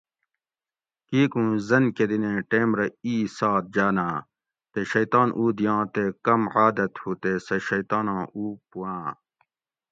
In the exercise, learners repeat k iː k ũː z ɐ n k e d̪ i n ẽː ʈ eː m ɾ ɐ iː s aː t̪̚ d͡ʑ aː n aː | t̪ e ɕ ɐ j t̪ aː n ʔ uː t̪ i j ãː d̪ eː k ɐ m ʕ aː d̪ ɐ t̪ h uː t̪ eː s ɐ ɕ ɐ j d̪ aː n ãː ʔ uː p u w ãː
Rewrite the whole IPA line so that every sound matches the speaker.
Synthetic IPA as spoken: k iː k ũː z ɐ n k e d̪ i n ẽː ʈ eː m ɾ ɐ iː s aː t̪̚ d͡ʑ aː n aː | t̪ e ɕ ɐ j t̪ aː n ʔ uː d̪ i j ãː t̪ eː k ɐ m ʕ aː d̪ ɐ t̪ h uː t̪ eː s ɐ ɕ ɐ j t̪ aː n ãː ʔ uː p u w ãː